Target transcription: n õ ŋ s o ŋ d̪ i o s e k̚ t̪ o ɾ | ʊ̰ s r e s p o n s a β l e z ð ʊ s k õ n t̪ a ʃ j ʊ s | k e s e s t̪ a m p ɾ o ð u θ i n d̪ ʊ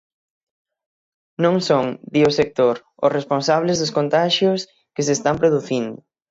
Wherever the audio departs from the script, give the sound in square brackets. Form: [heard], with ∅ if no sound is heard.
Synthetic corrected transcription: n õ ŋ s o ŋ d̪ i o s e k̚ t̪ o ɾ | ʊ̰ s r e s p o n s a β l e z ð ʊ s k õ n t̪ a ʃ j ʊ s | k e s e s t̪ a m p ɾ o ð u θ i n d̪ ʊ